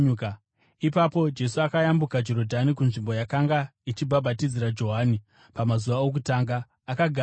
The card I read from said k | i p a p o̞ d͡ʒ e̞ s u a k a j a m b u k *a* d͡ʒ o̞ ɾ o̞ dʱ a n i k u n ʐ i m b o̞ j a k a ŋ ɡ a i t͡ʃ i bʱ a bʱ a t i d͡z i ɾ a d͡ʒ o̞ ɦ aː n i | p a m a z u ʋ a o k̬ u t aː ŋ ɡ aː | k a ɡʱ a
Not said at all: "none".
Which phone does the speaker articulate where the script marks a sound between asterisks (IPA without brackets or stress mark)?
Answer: a